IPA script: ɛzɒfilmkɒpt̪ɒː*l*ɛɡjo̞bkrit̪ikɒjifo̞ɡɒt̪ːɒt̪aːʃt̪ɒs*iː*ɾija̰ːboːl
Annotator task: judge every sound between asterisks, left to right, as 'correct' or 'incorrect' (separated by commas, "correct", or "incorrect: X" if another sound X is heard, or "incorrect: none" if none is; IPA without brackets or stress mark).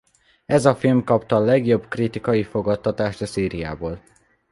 correct, correct